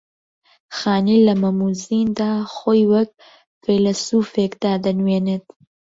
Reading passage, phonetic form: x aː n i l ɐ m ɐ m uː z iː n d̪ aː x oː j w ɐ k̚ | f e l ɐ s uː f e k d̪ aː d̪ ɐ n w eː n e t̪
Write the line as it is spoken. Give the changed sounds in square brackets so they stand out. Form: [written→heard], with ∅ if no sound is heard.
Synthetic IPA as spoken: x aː n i l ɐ m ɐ m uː z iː n d̪ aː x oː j w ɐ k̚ | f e l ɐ s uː f e k d̪ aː d̪ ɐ n w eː n e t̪